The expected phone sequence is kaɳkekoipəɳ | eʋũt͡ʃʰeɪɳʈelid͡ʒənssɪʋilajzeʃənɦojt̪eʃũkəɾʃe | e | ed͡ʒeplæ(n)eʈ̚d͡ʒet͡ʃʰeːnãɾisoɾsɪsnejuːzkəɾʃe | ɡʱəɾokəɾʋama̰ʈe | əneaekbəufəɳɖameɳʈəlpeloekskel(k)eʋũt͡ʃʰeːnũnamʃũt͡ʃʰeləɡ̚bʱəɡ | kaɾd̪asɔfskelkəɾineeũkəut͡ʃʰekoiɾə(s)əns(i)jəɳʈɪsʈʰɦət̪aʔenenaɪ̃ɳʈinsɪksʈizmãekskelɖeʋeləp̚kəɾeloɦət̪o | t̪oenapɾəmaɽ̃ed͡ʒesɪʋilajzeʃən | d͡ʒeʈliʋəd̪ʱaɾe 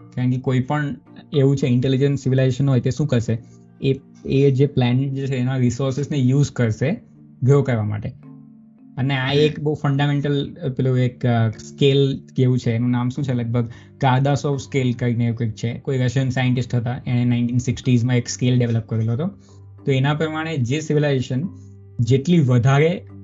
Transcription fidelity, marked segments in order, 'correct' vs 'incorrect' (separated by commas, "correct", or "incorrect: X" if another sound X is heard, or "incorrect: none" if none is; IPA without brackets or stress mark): correct, correct, incorrect: ʃ, incorrect: a